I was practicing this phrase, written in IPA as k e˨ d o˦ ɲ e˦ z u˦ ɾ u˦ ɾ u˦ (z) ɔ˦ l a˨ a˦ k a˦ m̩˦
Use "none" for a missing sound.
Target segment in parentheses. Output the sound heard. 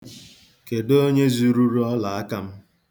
none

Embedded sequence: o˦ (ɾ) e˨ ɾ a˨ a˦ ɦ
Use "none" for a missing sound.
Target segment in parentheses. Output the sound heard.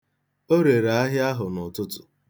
ɾ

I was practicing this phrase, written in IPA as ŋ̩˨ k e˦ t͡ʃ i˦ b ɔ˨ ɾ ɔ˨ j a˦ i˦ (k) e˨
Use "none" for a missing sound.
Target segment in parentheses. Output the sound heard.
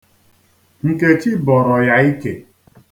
k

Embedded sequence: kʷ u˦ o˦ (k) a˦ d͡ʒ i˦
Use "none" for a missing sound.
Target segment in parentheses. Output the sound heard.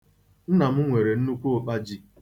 k͡p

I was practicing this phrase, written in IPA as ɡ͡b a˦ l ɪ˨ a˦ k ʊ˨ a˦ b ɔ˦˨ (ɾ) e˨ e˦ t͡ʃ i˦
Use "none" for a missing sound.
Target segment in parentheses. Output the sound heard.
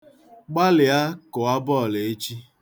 l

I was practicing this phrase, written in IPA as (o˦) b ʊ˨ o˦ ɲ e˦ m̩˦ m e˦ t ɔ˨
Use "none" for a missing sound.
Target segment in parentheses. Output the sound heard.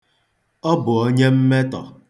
ɔ˦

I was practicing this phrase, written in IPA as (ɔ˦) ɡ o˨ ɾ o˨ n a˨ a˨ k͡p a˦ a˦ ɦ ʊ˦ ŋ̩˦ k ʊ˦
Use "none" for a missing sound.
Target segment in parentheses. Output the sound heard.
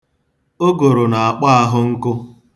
o˦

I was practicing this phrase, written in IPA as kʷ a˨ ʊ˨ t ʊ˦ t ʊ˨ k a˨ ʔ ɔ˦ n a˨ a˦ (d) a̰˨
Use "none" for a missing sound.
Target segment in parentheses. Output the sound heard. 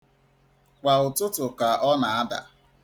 d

